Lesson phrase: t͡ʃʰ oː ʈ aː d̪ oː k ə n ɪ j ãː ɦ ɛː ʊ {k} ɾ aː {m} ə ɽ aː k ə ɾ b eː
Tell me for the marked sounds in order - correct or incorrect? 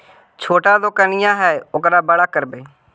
correct, incorrect: b

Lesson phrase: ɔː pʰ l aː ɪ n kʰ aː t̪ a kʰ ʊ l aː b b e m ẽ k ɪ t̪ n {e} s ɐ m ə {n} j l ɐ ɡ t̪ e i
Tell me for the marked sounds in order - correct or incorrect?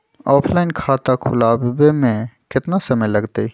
incorrect: a, incorrect: none

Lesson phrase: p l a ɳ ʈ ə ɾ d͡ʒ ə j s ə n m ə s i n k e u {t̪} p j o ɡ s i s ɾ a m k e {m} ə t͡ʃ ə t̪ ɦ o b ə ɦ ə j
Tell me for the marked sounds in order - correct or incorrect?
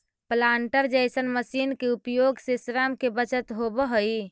incorrect: none, incorrect: b

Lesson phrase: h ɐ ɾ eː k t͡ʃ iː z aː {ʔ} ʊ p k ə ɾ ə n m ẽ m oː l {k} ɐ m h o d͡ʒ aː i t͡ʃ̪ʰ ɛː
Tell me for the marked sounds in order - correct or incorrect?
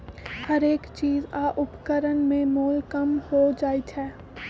correct, correct

